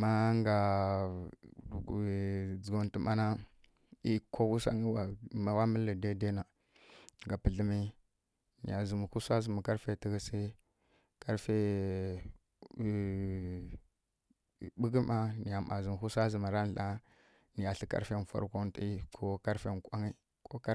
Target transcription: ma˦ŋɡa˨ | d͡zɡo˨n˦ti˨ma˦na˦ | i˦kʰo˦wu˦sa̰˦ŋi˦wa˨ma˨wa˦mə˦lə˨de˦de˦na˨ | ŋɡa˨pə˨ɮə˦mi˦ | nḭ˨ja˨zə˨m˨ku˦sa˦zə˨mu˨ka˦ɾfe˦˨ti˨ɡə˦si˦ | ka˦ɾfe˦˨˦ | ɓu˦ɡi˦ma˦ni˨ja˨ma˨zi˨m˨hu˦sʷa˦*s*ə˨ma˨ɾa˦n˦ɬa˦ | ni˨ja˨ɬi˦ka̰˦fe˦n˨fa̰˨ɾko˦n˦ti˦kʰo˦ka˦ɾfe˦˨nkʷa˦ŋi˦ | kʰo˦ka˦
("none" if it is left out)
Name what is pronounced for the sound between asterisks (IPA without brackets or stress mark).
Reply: z